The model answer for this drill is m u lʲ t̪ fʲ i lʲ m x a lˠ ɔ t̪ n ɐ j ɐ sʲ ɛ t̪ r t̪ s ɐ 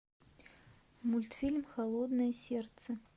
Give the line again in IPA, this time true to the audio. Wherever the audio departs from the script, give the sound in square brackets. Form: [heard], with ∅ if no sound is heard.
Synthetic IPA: m u lʲ t̪ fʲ i lʲ m x a lˠ ɔ [d̪] n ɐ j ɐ sʲ ɛ [∅] r t̪ s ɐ